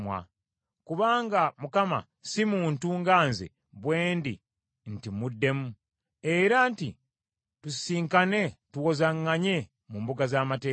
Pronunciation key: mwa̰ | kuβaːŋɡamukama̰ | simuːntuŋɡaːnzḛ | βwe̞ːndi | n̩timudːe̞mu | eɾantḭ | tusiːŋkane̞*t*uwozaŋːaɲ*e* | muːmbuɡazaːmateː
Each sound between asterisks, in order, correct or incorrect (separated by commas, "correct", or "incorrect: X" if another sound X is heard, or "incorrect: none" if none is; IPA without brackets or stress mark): correct, correct